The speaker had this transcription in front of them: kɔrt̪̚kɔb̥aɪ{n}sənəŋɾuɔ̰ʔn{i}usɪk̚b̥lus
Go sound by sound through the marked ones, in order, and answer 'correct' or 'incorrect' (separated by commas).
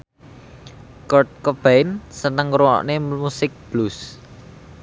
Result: correct, incorrect